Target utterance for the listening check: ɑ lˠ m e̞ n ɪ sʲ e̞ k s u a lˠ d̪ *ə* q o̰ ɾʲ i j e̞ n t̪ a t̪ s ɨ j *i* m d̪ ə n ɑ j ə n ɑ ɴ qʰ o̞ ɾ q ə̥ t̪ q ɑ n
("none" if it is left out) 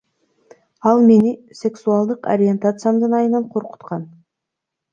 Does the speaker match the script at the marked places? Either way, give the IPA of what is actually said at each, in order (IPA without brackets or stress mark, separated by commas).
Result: ə, a